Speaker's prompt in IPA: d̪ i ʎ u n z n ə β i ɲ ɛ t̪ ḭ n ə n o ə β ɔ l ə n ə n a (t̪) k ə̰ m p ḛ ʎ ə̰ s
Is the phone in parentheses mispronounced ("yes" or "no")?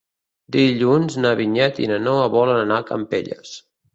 yes